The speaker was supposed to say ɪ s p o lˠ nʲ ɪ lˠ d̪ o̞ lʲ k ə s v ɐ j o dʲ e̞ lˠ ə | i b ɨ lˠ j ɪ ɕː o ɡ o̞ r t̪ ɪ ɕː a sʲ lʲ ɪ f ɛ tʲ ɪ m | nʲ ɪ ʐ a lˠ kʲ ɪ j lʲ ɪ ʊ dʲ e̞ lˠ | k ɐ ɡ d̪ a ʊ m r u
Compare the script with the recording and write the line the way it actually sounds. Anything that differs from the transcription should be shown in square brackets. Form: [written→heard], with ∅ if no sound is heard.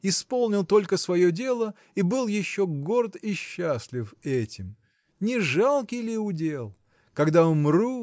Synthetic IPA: ɪ s p o lˠ nʲ ɪ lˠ [d̪→t̪] o̞ lʲ k ə s v ɐ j o dʲ e̞ lˠ ə | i b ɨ lˠ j ɪ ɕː o ɡ o̞ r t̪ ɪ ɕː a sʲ lʲ ɪ f ɛ tʲ ɪ m | nʲ ɪ ʐ a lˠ kʲ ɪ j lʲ ɪ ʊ dʲ e̞ lˠ | k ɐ ɡ d̪ a ʊ m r u